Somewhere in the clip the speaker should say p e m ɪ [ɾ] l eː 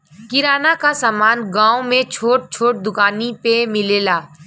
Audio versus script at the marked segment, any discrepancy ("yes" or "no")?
yes